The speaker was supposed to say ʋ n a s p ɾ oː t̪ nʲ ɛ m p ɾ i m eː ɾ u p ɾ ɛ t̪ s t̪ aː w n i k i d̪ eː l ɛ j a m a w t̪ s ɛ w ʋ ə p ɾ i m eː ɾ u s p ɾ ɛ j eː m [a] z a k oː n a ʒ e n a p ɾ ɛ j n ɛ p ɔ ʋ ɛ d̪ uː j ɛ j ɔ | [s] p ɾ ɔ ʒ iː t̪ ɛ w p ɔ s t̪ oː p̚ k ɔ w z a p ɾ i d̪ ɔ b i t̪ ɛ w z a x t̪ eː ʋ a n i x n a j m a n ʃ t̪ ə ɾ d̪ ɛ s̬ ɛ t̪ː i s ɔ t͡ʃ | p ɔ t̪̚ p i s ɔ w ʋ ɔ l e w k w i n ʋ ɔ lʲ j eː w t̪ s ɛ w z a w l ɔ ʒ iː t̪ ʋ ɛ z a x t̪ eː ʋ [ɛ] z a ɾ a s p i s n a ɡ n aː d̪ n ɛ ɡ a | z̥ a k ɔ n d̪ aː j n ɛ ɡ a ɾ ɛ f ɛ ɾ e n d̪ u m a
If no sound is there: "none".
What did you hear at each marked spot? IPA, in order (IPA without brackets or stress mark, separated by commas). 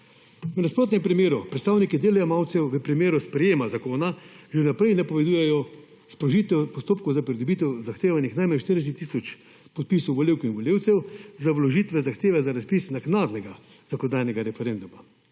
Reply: a, s, ɛ